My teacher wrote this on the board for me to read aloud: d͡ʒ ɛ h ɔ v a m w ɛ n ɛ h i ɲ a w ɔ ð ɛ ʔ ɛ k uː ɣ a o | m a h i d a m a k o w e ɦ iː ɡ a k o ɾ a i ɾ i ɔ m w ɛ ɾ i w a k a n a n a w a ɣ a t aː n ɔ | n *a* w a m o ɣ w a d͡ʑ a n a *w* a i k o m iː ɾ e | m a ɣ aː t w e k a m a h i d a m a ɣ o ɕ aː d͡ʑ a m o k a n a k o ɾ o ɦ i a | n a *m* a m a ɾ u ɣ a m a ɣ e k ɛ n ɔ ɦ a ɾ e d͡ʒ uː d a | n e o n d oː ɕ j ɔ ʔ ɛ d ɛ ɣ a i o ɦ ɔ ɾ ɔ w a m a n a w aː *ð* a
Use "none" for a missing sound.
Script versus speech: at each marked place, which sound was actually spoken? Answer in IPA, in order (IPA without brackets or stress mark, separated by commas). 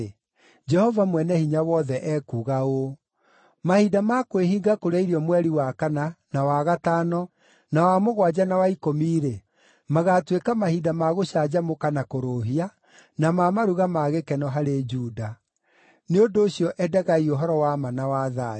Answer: a, w, m, ð